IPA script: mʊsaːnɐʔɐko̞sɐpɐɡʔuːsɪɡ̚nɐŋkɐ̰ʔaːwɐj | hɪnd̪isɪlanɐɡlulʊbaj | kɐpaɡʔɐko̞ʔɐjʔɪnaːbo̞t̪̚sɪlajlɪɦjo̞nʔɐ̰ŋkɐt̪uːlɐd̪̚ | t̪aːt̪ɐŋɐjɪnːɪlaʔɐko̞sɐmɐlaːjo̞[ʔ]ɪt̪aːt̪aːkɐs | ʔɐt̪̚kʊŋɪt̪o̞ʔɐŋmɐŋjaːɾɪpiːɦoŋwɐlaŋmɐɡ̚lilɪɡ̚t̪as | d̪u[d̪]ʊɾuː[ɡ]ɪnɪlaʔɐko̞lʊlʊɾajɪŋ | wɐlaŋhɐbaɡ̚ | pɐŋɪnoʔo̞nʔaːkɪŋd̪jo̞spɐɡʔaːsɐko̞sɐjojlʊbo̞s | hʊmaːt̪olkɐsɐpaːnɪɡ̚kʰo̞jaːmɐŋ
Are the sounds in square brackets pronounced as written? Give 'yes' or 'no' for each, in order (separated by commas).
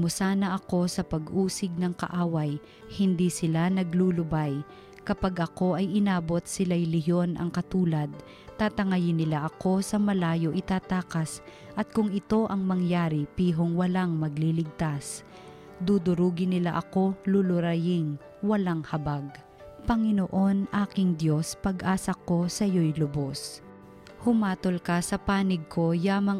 yes, yes, yes